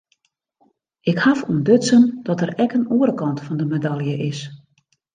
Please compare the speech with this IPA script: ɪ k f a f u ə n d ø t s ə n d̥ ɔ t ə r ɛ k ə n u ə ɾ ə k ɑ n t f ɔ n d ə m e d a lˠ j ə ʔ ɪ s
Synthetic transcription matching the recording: ɪ k h a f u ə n d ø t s ə n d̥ ɔ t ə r ɛ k ə n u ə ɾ ə k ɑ n t f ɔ n d ə m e d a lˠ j ə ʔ ɪ s